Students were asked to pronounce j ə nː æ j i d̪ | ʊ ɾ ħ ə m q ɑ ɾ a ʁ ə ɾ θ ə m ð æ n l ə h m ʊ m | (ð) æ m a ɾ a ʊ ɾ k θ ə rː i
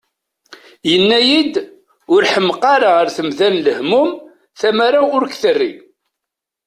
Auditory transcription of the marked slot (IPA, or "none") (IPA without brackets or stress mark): θ